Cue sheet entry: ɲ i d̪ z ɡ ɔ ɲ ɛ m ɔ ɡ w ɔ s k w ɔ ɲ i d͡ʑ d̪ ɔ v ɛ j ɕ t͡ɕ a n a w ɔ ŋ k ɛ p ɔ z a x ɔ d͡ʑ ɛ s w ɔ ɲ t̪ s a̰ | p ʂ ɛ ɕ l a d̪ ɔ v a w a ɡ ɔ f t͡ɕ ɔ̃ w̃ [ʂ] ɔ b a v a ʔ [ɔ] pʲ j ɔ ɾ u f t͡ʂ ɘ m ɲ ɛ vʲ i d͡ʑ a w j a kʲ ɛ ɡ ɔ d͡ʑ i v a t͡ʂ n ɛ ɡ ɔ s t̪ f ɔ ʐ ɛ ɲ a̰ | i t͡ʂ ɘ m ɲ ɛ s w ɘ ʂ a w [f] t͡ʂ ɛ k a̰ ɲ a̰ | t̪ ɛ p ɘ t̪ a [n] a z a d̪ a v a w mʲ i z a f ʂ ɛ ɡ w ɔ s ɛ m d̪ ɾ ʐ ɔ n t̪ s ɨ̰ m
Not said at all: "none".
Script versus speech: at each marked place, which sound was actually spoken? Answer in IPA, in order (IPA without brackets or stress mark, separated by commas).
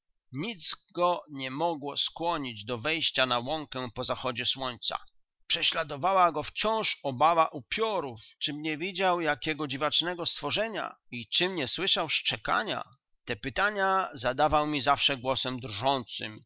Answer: ʂ, u, ʂ, ɲ